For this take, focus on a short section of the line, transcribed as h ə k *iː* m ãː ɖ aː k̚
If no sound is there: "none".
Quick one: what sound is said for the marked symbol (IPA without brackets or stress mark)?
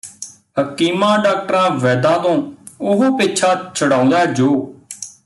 iː